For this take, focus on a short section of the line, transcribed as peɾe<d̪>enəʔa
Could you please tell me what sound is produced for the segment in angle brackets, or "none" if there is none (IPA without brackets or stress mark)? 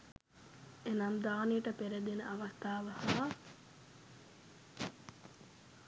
d̪